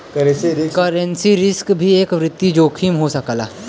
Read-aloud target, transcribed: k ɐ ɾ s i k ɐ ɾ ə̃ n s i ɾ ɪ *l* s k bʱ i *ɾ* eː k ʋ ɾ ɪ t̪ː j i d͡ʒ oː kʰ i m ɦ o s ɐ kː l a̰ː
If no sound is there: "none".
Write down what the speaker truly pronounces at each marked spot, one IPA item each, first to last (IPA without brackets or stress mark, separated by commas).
none, none